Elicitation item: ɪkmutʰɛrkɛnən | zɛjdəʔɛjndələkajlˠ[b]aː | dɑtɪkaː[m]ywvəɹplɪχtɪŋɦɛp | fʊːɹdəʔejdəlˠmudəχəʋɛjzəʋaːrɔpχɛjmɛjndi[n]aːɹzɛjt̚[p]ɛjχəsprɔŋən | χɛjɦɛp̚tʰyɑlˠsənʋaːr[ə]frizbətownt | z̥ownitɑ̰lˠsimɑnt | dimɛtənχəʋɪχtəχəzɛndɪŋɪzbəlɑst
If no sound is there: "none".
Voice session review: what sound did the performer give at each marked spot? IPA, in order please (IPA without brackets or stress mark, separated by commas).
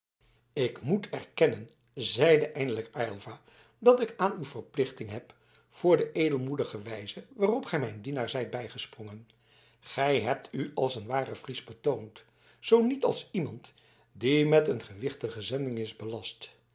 v, n, n, b, ə